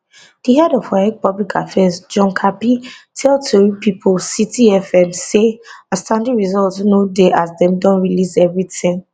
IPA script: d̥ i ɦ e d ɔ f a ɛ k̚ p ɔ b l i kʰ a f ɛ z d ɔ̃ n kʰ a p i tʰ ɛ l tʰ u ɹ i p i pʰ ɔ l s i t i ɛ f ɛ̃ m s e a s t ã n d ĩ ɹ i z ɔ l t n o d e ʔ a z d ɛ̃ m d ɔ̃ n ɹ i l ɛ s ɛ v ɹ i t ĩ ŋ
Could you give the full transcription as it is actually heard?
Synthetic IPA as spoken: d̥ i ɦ ɛ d ɔ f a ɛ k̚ p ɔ b l i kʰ a f ɛ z d͡ʒ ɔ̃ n kʰ a p i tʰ ɛ l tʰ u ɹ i p i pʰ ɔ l s i t i ɛ f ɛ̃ m s e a s t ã n d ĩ ɹ i z ɔ l t n o d e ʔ a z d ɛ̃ m d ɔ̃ n ɹ i l i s ɛ v ɹ i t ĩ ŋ